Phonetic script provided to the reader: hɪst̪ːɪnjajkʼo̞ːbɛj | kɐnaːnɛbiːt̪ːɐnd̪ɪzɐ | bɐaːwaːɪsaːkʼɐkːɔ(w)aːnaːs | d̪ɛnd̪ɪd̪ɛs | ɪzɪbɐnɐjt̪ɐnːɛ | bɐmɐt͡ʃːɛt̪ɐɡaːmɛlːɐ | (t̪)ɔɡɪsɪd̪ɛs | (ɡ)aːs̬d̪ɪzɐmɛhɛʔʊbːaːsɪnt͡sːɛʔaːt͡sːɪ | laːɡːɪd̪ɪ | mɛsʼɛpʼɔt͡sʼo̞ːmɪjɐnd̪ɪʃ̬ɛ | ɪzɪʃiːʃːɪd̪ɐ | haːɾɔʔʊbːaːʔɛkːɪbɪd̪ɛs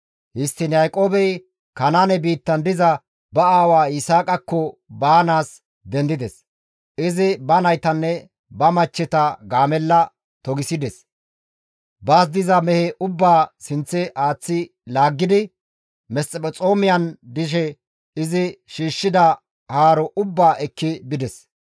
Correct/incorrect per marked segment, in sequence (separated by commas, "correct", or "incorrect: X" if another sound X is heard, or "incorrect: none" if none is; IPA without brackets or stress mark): incorrect: b, correct, incorrect: b